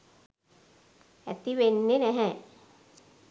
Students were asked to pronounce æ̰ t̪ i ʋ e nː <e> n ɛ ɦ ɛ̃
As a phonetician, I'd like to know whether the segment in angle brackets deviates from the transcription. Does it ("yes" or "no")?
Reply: no